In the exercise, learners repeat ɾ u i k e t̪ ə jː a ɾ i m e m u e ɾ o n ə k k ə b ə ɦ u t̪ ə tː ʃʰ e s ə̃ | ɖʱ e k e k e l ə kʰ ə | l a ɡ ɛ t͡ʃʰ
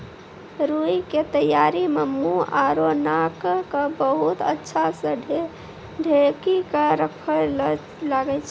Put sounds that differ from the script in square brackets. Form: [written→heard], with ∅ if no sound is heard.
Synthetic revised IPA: ɾ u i k e t̪ ə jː a ɾ i m e m u [e→a] ɾ o n [ə→a] k k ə b ə ɦ u t̪ ə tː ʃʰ [e→a] s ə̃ | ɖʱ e k [e→i] k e [l→ɾ] ə kʰ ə | l a ɡ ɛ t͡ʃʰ